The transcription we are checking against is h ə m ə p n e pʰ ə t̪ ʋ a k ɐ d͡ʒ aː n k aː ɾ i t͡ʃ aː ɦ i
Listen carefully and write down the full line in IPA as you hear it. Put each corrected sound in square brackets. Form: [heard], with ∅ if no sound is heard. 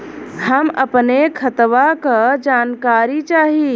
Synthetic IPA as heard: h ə m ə p n e [kʰ] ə t̪ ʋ a k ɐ d͡ʒ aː n k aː ɾ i t͡ʃ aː ɦ i